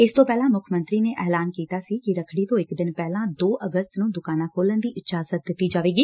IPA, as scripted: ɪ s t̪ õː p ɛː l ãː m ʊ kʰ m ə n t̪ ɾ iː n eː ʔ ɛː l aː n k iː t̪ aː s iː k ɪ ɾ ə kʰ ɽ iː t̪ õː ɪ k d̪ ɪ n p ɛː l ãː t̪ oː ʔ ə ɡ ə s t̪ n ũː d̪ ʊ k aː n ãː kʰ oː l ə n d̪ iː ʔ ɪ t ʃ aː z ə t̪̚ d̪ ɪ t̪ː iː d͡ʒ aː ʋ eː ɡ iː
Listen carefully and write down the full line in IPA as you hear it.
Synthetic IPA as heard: ɪ s t̪ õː p ɛː l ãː m ʊ kʰ m ə n t̪ ɾ iː n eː ʔ ɛː l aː n k iː t̪ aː s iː k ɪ ɾ ə kʰ ɽ iː t̪ õː ɪ k d̪ ɪ n p ɛː l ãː d̪ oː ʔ ə ɡ ə s t̪ n ũː d̪ ʊ k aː n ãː kʰ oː l ə n d̪ iː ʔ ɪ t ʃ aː z ə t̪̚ d̪ ɪ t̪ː iː d͡ʒ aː ʋ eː ɡ iː